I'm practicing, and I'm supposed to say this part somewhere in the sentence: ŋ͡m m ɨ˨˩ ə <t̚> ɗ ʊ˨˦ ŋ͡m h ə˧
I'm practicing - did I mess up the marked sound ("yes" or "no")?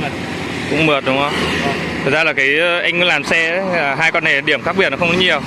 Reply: no